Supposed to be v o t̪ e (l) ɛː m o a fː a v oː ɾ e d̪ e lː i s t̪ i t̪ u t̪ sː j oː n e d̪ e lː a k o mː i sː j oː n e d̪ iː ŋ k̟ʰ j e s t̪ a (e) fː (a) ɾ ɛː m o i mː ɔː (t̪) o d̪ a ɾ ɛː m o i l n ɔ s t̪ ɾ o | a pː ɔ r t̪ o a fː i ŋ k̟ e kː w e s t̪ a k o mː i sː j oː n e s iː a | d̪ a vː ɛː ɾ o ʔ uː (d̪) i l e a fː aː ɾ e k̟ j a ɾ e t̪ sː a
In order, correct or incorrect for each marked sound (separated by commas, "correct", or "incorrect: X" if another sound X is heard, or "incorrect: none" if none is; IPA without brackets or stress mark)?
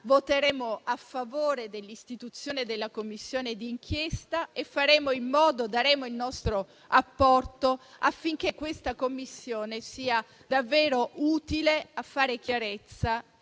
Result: incorrect: ɾ, correct, correct, incorrect: d̪, incorrect: t̪